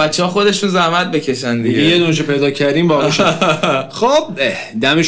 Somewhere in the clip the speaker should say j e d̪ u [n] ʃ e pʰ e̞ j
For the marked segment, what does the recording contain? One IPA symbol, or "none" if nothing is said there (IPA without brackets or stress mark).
n